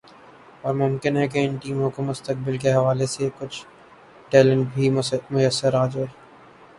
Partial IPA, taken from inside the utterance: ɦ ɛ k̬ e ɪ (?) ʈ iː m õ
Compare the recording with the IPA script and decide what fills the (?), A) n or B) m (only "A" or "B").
A